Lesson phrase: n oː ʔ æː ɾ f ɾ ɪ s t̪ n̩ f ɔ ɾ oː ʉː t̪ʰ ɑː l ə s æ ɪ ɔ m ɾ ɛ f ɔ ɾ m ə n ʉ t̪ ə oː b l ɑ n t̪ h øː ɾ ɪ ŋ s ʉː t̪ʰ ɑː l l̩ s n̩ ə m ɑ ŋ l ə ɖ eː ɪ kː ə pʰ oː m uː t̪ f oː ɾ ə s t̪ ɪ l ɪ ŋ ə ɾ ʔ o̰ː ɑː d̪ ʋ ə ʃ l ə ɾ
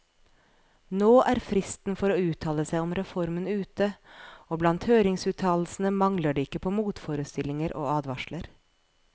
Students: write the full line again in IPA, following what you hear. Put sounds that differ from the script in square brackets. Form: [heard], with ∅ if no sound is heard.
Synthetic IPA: n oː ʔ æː ɾ f ɾ ɪ s t̪ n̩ f ɔ ɾ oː ʉː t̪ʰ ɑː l ə s æ ɪ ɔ m ɾ ɛ f ɔ ɾ m ə n [ʉː] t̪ ə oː b l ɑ n t̪ h øː ɾ ɪ ŋ s ʉː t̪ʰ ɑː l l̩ s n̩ ə m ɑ ŋ l ə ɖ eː ɪ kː ə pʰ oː m uː t̪ f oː ɾ ə s t̪ ɪ l ɪ ŋ ə ɾ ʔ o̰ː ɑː d̪ ʋ [ɑ] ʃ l ə ɾ